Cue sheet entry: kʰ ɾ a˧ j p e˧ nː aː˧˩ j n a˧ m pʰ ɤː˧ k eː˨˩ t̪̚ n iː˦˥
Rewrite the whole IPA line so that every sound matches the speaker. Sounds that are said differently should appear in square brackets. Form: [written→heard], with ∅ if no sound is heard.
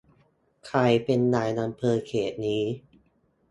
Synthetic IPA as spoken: kʰ ɾ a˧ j p e˧ nː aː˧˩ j n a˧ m pʰ ɤː˧ [k→kʰ] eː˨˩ t̪̚ n iː˦˥